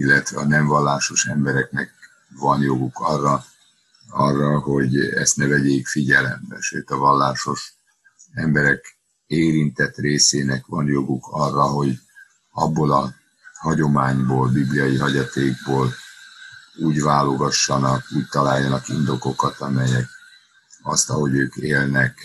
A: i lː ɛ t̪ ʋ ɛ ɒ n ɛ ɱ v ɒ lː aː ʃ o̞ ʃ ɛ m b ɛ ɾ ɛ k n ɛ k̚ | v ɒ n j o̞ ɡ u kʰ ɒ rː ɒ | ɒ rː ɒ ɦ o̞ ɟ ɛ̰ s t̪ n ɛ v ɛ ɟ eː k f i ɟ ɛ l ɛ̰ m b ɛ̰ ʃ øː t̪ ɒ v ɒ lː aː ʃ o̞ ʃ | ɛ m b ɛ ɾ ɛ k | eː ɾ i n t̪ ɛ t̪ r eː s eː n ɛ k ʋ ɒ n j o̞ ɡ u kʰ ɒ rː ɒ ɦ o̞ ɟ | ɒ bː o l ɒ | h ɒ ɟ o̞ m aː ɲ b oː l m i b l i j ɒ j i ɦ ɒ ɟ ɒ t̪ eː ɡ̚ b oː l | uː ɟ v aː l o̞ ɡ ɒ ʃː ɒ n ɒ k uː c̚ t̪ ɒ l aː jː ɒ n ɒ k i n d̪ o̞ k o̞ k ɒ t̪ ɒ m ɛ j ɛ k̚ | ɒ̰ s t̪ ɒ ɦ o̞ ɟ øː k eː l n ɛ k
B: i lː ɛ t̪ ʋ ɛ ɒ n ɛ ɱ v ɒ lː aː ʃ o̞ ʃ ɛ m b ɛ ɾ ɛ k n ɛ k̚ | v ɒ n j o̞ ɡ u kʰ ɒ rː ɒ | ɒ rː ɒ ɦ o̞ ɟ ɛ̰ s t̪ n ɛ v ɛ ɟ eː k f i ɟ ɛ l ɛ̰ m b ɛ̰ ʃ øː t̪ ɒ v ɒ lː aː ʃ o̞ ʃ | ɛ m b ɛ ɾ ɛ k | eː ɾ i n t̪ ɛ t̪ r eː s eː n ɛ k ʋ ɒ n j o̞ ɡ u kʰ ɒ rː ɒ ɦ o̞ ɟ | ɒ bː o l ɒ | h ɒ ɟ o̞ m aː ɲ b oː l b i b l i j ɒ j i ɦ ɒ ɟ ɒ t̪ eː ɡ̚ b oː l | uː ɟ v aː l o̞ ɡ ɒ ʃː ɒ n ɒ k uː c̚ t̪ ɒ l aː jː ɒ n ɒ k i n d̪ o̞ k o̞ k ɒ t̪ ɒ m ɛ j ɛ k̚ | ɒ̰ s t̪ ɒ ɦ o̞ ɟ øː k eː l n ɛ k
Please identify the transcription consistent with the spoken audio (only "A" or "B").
B